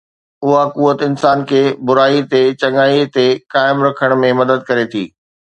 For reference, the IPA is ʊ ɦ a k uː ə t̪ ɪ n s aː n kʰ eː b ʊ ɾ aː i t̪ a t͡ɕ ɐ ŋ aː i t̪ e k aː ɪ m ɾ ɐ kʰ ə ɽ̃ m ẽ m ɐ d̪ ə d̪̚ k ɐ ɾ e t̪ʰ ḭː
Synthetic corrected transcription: ʊ ɦ a k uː ə t̪ ɪ n s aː n kʰ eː b ʊ ɾ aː i t̪ e t͡ɕ ɐ ŋ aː i t̪ e k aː ɪ m ɾ ɐ kʰ ə ɽ̃ m ẽ m ɐ d̪ ə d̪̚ k ɐ ɾ e t̪ʰ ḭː